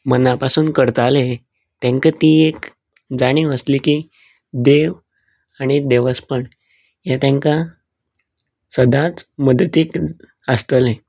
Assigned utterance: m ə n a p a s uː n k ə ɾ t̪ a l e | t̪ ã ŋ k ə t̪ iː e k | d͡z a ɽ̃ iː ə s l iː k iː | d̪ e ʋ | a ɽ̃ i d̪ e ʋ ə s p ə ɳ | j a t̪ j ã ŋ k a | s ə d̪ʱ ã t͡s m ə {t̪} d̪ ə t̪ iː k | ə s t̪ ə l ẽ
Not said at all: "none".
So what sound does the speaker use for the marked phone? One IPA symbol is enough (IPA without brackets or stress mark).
none